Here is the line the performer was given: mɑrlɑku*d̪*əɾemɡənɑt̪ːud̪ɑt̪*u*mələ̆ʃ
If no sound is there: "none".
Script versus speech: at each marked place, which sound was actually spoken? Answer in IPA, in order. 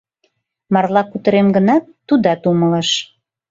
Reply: t̪, u

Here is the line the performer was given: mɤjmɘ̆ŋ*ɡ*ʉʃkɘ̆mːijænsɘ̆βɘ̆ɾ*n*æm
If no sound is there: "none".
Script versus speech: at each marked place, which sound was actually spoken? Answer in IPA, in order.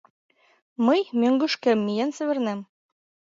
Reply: ɡ, n

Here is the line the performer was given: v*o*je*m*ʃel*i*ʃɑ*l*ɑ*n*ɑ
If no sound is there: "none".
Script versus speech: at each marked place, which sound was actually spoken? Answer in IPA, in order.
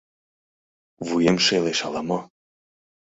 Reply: u, m, e, l, m

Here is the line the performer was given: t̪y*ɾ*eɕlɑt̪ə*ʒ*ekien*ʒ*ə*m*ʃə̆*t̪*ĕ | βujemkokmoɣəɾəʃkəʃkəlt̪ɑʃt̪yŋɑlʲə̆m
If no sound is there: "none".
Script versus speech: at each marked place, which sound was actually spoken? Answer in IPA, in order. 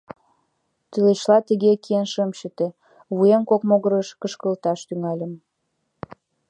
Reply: l, ɣ, ʃ, m, t̪

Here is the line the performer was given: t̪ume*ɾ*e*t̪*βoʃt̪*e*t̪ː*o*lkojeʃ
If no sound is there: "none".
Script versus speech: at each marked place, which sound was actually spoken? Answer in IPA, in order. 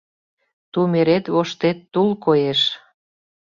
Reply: ɾ, t̪, e, u

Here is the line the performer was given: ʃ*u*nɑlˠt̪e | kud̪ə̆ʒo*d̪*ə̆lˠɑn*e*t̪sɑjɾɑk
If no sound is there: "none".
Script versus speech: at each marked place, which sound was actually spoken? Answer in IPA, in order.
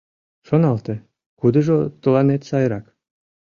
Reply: o, t̪, e

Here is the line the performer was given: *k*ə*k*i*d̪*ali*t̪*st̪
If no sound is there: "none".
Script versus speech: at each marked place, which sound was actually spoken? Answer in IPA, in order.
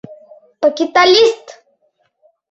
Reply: p, k, t̪, none

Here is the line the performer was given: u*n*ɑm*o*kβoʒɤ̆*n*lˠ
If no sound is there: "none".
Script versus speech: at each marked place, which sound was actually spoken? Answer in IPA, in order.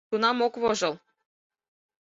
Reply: n, o, none

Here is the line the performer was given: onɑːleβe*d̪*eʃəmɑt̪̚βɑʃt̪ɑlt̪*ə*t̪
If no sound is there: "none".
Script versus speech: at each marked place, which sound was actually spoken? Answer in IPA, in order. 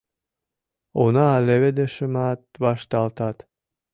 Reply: d̪, ɑ

